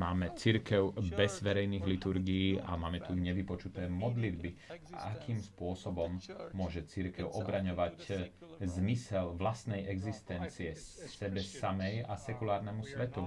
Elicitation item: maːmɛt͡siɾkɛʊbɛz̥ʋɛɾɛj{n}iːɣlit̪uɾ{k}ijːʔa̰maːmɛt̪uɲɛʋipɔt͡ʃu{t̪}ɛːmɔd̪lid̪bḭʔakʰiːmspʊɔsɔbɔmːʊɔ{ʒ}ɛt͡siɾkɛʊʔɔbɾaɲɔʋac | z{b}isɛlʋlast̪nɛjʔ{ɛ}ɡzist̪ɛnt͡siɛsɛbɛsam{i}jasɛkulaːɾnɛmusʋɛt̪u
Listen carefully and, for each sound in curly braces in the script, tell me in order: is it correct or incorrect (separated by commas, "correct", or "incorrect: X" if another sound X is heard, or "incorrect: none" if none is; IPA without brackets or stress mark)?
correct, incorrect: ɡ, correct, correct, incorrect: m, correct, incorrect: ɛ